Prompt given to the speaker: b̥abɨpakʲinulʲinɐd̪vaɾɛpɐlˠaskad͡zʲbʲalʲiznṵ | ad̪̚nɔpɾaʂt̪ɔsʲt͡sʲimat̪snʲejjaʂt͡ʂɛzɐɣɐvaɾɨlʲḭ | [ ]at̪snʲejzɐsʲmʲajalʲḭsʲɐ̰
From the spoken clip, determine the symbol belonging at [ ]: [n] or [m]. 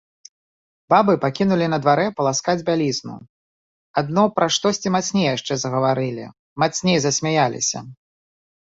m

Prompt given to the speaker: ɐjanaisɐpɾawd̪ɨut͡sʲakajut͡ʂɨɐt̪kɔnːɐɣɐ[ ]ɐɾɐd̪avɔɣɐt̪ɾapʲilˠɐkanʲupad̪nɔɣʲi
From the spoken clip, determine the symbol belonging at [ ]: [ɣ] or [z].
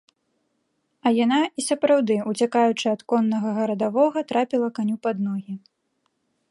ɣ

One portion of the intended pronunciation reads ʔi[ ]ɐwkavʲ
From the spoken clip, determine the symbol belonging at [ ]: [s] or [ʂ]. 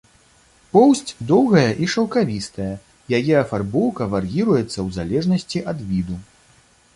ʂ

